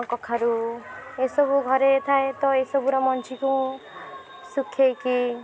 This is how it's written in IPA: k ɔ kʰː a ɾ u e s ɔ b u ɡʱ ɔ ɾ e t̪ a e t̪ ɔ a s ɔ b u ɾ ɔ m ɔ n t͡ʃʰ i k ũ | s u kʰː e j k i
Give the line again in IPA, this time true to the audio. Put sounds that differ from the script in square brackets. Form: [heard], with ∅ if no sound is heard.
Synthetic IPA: k ɔ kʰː a ɾ u e s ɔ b u ɡʱ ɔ ɾ e [t̪ʰ] a e t̪ ɔ [e] s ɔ b u ɾ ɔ m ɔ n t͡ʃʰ i k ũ | s u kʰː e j k i